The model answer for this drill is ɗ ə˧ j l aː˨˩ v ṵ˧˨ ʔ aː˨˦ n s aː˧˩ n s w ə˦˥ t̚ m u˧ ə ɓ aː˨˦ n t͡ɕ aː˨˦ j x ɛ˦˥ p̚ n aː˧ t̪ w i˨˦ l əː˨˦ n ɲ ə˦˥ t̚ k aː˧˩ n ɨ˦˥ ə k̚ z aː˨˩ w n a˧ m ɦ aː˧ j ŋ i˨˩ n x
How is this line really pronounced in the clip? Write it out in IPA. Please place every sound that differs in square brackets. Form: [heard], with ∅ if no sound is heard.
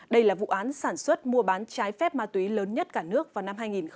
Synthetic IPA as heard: ɗ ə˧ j l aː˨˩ v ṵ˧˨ ʔ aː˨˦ n s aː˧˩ n s w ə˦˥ t̚ m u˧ ə ɓ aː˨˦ n t͡ɕ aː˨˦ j [f] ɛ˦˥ p̚ [m] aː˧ t̪ w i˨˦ l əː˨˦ n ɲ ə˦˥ t̚ k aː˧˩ n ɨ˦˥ ə k̚ [v] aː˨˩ w n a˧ m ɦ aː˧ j ŋ i˨˩ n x